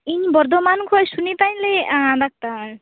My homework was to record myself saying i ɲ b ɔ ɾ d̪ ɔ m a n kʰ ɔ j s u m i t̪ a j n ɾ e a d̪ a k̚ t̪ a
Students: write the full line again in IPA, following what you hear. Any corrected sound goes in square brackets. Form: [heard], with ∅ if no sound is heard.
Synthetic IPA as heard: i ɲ b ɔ ɾ d̪ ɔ m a n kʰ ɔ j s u [n] i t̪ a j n [l] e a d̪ a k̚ t̪ a